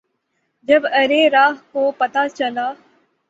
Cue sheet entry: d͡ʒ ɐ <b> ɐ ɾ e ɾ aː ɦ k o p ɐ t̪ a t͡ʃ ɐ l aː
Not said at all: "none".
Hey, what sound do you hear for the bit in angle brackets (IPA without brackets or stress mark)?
b